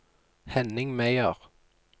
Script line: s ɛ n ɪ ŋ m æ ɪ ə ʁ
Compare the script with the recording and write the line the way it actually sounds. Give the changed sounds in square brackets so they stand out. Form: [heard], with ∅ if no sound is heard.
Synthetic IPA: [h] ɛ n ɪ ŋ m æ ɪ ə ʁ

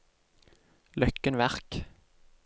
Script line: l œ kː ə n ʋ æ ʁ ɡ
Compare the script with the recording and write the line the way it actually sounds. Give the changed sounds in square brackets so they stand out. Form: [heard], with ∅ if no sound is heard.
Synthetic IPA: l œ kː ə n ʋ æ ʁ [k]

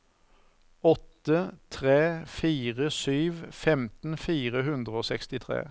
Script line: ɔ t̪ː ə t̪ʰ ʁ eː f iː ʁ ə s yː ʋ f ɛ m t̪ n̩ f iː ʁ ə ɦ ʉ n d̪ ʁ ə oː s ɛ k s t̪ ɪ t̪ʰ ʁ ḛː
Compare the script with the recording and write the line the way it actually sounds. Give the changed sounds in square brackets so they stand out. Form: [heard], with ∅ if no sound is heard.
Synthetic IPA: ɔ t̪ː ə t̪ʰ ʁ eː f iː ʁ ə s yː ʋ f ɛ m t̪ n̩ f iː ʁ ə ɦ ʉ n d̪ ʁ ə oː s ɛ k s t̪ ɪ t̪ʰ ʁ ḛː

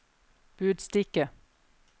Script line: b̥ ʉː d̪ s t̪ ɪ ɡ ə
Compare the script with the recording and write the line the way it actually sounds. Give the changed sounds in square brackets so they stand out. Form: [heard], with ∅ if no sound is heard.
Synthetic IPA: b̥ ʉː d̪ s t̪ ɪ [k] ə

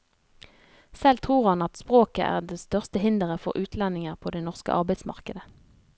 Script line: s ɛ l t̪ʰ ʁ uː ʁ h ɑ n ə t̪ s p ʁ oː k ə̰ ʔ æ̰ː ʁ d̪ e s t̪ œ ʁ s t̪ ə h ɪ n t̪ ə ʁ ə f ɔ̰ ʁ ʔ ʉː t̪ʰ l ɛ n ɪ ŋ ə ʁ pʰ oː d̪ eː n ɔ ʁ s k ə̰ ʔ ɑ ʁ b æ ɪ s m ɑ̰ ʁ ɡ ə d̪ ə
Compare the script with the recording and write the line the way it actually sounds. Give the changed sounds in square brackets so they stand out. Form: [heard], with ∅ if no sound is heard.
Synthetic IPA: s ɛ l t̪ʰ ʁ uː ʁ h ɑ n [ɑ] t̪ s p ʁ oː k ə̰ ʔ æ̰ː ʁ d̪ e s t̪ œ ʁ s t̪ ə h ɪ n [d̪] ə ʁ ə f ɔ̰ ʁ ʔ ʉː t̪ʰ l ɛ n ɪ ŋ ə ʁ pʰ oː d̪ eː n ɔ ʁ s k ə̰ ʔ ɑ ʁ b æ ɪ s m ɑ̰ ʁ [k] ə d̪ ə

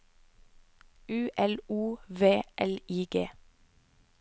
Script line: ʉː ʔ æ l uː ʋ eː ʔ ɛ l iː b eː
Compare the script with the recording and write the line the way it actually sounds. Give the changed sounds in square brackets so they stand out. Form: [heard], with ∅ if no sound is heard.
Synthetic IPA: ʉː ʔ [ɛ] l uː ʋ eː ʔ ɛ l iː [ɡ] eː

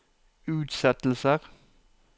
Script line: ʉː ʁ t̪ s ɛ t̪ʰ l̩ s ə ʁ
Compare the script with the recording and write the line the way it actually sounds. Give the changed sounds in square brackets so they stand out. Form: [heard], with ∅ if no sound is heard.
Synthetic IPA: ʉː [∅] t̪ s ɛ [t̪] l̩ s ə ʁ

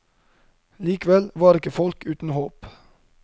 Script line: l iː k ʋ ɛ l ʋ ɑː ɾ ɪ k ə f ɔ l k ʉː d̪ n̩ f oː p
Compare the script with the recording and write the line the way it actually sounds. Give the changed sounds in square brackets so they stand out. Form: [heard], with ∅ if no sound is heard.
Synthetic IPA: l iː k ʋ ɛ l ʋ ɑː ɾ ɪ k ə f ɔ l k ʉː [t̪] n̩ [h] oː p

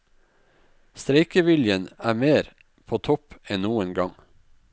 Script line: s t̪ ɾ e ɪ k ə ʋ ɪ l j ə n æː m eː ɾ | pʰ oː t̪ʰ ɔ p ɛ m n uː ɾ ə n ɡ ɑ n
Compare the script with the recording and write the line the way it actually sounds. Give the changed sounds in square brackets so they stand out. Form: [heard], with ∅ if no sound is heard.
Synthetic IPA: s t̪ ɾ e ɪ k ə ʋ ɪ l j ə n æː m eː ɾ | pʰ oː t̪ʰ ɔ p ɛ [n] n uː [∅] ə n ɡ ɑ [ŋ]

